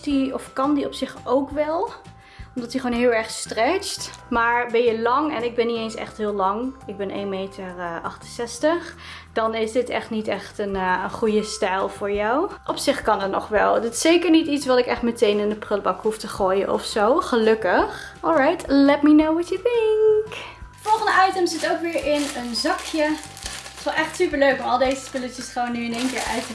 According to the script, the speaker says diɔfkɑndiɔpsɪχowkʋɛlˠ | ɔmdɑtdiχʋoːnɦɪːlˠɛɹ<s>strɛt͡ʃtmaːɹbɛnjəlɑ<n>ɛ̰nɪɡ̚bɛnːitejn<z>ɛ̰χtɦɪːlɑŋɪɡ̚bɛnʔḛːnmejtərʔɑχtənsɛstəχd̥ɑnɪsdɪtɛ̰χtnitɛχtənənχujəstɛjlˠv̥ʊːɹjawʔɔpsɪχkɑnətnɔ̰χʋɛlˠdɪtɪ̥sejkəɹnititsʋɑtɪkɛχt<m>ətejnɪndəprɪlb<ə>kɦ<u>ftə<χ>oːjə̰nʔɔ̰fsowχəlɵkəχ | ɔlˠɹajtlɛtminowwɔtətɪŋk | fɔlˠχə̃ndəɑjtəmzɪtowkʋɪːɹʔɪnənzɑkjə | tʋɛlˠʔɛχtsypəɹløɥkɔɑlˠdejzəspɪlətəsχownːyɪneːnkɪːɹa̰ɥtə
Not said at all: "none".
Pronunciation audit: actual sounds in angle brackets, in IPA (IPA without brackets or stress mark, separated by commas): χ, ŋ, s, m, ɑ, u, χ